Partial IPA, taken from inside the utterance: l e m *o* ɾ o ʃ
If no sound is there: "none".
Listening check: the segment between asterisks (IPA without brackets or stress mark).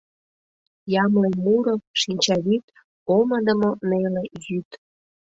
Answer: u